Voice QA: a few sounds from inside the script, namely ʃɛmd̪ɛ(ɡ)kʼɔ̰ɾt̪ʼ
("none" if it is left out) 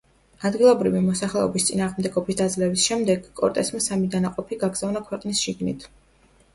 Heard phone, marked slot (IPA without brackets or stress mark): ɡ